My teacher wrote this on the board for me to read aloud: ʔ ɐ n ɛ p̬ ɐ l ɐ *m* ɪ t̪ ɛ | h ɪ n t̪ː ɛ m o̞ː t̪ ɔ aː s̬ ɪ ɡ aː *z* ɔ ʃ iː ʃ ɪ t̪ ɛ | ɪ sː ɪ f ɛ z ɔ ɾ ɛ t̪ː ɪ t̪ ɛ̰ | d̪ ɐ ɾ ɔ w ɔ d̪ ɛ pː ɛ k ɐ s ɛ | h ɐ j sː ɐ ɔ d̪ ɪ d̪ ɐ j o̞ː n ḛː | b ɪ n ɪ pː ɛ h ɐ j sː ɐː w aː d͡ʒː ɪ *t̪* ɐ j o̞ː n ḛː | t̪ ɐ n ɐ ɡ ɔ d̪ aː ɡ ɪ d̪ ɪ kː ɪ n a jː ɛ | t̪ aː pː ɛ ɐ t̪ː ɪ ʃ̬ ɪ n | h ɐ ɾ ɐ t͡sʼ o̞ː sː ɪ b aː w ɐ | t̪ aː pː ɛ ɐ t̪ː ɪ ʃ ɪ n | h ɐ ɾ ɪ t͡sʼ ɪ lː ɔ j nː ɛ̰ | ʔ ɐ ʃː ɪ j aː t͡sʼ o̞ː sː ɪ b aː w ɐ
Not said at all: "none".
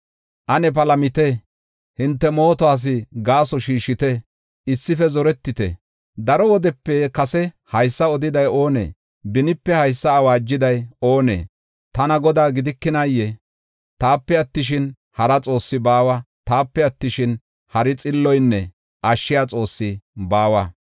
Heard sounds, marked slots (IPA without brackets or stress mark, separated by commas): m, s, d̪